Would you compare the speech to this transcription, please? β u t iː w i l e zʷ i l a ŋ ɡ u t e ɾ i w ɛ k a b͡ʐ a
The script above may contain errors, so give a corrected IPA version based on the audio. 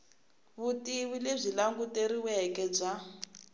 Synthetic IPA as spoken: β u t i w i l e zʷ i l a ŋ ɡ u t e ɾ i w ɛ k ɛ b͡ʐ a